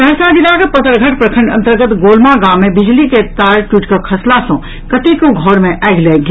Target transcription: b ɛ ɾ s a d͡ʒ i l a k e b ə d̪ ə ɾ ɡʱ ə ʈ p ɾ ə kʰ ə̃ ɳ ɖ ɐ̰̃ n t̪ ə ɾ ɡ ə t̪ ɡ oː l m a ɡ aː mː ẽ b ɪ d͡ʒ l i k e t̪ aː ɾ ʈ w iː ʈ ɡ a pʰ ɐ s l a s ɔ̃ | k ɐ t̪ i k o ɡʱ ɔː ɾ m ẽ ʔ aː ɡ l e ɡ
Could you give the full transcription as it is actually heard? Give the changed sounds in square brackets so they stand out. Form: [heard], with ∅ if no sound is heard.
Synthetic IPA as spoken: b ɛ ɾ s a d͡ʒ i l a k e [p] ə [t̪] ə ɾ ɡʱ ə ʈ p ɾ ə kʰ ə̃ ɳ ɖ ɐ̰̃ n t̪ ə ɾ ɡ ə t̪ ɡ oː l m a ɡ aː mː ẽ b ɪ d͡ʒ l i k e t̪ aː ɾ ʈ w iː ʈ [k] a [kʰ] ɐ s l a s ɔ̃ | k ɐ t̪ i k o ɡʱ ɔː ɾ m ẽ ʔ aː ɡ l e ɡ